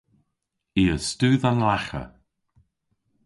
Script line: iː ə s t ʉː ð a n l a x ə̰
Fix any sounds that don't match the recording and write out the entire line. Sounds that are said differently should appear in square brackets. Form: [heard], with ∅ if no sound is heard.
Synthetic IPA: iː ə s t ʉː ð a n l a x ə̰